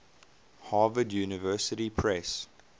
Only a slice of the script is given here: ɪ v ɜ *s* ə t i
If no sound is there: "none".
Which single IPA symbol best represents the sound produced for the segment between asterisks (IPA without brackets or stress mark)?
s